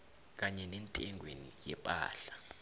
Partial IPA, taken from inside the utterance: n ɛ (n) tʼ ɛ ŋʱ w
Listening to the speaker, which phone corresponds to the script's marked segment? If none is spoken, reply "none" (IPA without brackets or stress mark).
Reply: n